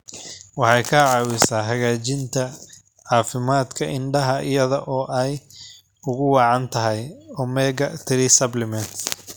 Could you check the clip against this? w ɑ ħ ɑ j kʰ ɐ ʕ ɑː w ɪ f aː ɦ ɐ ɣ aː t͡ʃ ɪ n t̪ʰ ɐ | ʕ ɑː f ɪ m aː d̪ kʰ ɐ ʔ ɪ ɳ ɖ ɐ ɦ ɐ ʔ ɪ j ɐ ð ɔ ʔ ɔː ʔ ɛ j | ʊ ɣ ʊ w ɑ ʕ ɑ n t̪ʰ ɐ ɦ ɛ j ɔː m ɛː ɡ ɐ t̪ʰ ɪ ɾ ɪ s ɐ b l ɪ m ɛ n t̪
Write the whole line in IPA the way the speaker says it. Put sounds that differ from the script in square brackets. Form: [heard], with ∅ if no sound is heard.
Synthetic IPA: w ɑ ħ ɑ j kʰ ɐ ʕ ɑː w ɪ [s] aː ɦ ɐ ɣ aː t͡ʃ ɪ n t̪ʰ ɐ | ʕ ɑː f ɪ m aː d̪ kʰ ɐ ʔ ɪ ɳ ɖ ɐ ɦ ɐ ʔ ɪ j ɐ ð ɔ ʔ ɔː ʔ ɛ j | ʊ ɣ ʊ w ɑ ʕ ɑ n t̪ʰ ɐ ɦ ɛ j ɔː m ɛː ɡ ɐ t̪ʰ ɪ ɾ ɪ s ɐ b l ɪ m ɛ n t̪